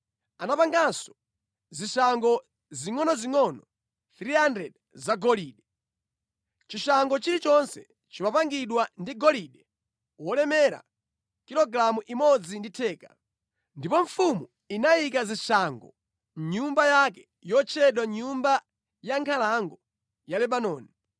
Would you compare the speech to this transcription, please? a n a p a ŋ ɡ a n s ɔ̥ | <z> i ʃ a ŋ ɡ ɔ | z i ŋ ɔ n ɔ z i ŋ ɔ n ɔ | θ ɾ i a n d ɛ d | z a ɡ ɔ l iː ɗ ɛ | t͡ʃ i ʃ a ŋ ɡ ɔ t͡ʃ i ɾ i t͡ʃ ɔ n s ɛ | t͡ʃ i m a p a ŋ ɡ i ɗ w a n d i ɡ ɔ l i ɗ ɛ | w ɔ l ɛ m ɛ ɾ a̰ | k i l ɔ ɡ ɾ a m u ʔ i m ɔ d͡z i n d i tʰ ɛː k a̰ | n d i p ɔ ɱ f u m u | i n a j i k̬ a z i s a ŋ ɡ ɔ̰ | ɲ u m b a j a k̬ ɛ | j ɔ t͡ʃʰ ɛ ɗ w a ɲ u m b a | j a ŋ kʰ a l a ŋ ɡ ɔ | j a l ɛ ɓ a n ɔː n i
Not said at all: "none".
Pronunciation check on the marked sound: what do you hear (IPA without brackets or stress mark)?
z